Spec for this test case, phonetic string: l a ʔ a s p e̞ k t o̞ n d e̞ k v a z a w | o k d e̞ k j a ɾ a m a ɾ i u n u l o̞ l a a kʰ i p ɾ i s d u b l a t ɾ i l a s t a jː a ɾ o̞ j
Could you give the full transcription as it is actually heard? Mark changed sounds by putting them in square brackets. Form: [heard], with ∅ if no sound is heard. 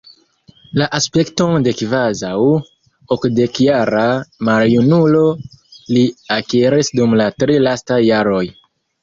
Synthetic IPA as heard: l a ʔ a s p e̞ k t o̞ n d e̞ k v a z a w | o k d e̞ k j a ɾ a m a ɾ [j] u n u l o̞ l [i] a [k] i [∅] ɾ i s d u [m] l a t ɾ i l a s t a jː a ɾ o̞ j